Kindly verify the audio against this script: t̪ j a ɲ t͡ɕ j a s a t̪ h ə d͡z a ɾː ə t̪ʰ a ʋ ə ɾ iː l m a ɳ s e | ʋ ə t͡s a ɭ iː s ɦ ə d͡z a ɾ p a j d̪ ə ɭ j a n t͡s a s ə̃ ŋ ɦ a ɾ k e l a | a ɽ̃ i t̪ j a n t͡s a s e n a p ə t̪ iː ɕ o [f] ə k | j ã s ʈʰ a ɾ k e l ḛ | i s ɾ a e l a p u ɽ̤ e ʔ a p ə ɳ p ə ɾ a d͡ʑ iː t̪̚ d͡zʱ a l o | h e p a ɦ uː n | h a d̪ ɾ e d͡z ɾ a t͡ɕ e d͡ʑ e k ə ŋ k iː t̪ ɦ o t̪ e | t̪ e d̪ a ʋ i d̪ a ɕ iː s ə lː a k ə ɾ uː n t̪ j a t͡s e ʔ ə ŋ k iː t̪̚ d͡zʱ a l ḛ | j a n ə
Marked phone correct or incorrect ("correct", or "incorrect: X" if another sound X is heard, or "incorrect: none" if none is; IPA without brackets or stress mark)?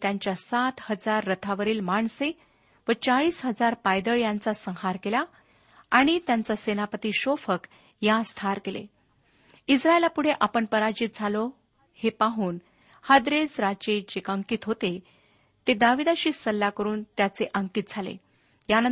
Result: correct